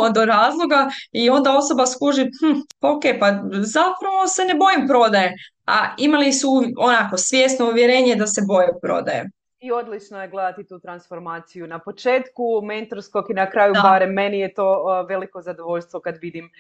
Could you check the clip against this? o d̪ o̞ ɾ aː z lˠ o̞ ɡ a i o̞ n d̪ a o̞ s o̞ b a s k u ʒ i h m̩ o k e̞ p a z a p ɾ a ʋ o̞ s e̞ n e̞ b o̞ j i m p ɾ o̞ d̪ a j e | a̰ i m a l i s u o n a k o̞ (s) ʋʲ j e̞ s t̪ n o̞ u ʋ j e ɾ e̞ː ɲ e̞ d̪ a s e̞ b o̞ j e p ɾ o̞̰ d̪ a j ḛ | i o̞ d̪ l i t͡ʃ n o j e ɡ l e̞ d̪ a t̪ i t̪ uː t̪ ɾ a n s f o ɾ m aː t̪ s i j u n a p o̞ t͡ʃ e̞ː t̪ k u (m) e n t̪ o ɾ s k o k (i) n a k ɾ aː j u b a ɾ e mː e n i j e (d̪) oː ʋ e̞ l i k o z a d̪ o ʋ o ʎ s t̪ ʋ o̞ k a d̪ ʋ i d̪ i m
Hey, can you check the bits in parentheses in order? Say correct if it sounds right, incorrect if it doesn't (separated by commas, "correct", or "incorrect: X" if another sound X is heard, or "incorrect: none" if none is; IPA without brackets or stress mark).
correct, correct, correct, incorrect: t̪